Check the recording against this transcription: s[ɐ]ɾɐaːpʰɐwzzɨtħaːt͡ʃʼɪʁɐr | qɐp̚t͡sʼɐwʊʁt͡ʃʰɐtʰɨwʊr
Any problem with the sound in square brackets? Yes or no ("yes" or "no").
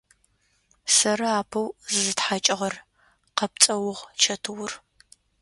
no